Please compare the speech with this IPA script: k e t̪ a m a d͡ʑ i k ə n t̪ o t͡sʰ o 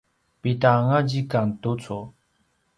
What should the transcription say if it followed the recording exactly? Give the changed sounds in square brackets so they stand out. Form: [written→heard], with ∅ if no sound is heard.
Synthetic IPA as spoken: [k→p] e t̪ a [m→ŋ] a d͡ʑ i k [ə→a] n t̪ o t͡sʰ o